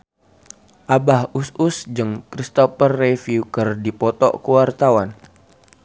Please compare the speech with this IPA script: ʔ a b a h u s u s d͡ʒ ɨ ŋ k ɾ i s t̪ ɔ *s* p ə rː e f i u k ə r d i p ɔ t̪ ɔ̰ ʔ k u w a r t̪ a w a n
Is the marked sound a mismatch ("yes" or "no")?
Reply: yes